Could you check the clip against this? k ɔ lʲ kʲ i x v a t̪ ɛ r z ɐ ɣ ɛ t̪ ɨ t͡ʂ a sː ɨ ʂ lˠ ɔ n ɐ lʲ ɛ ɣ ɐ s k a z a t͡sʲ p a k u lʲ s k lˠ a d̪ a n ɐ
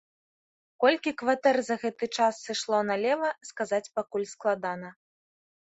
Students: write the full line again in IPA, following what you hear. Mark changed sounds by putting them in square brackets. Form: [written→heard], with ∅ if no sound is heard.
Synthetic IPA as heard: k ɔ lʲ kʲ i [x→k] v a t̪ ɛ r z ɐ ɣ ɛ t̪ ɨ t͡ʂ a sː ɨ ʂ lˠ ɔ n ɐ lʲ ɛ [ɣ→v] ɐ s k a z a t͡sʲ p a k u lʲ s k lˠ a d̪ a n ɐ